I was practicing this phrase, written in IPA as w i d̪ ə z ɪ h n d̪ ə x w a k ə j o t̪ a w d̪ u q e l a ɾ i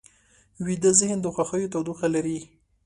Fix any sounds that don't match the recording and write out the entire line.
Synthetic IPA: w i d̪ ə z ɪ h n d̪ ə x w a x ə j o t̪ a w d̪ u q a l a ɾ i